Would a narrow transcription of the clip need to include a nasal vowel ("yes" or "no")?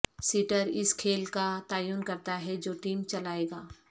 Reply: no